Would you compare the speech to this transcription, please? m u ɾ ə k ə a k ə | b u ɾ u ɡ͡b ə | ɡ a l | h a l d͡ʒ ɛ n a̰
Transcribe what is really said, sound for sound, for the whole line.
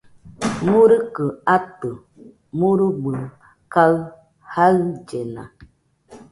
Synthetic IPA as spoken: m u ɾ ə k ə a t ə | m u ɾ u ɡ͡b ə | k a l | h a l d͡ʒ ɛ n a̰